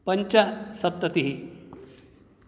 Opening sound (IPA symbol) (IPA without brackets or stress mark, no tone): p